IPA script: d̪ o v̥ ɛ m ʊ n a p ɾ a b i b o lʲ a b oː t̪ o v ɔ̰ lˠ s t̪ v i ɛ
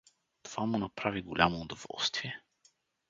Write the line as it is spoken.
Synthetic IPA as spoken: t̪ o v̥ a m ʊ n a p ɾ a v i ɡ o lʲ a m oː d̪ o v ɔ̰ lˠ s t̪ v i ɛ